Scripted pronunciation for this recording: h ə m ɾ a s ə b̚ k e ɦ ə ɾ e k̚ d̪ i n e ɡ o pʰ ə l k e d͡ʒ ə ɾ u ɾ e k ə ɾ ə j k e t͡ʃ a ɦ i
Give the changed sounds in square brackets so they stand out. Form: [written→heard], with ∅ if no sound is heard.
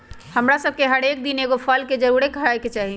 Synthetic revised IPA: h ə m ɾ a s ə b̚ k e ɦ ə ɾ e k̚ d̪ i n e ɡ o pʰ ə l k e d͡ʒ ə ɾ u ɾ e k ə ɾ [ə→a] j k e t͡ʃ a ɦ i

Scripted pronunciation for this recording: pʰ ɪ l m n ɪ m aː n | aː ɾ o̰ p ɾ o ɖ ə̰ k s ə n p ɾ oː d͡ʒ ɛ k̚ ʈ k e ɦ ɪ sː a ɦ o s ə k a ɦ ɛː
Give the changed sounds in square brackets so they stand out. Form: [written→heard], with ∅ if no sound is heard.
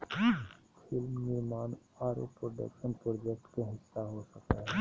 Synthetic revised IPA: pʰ ɪ l m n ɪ m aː n | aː ɾ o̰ p ɾ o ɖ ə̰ k [s→ʃ] ə n p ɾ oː d͡ʒ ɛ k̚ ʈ k e ɦ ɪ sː a ɦ o s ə k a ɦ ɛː

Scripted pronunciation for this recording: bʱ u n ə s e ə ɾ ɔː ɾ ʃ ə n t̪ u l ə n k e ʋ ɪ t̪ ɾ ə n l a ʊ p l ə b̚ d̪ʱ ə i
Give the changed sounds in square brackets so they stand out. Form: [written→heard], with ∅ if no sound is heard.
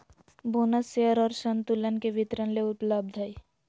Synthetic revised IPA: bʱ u n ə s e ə ɾ ɔː ɾ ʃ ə n t̪ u l ə n k e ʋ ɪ t̪ ɾ ə n l [a→e] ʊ p l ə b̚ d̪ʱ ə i

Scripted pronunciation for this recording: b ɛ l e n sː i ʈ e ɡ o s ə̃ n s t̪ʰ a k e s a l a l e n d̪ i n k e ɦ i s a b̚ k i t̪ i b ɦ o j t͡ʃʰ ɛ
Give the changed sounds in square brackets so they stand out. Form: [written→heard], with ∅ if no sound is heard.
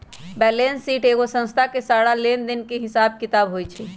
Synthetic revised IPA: b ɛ l e n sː i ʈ e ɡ o s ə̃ n s t̪ʰ a k e s a [l→ɽ] a l e n d̪ i n k e ɦ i s a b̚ k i t̪ [i→a] b ɦ o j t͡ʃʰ ɛ

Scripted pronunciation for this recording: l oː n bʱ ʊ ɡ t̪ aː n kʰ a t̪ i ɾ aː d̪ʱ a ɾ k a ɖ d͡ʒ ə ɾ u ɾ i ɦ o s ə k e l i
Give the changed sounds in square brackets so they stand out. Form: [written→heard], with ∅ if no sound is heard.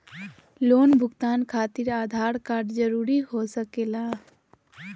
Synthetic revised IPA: l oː n bʱ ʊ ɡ t̪ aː n kʰ a t̪ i ɾ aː d̪ʱ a ɾ k a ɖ d͡ʒ ə ɾ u ɾ i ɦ o s ə k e l [i→a]

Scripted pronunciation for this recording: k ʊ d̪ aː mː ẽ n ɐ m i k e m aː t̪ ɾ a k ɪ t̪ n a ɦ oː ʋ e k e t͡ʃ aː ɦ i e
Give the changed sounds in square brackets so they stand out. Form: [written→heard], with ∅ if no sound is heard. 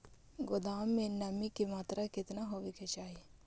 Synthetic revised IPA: [k→ɡ] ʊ d̪ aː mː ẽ n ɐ m i k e m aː t̪ ɾ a k ɪ t̪ n a ɦ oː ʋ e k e t͡ʃ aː ɦ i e

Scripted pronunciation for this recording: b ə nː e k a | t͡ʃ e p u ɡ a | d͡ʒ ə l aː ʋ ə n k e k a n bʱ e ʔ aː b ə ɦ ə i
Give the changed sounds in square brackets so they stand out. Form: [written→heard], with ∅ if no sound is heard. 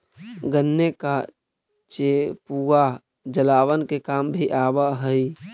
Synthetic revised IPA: [b→ɡ] ə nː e k a | t͡ʃ e p u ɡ a | d͡ʒ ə l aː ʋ ə n k e k a [n→m] bʱ [e→i] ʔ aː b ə ɦ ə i

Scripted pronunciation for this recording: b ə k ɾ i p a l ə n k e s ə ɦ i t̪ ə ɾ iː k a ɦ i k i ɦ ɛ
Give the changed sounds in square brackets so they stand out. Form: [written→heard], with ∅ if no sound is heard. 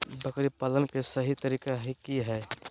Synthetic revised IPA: b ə k ɾ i p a l ə n k e s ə ɦ i t̪ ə ɾ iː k a ɦ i k i ɦ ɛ

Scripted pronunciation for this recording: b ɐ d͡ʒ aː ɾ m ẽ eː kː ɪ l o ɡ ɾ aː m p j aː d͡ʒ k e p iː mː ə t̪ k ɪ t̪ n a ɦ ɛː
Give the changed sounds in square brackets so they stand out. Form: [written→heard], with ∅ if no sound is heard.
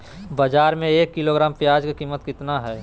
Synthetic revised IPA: b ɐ d͡ʒ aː ɾ m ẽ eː kː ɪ l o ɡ ɾ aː m p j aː d͡ʒ k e [p→k] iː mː ə t̪ k ɪ t̪ n a ɦ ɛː

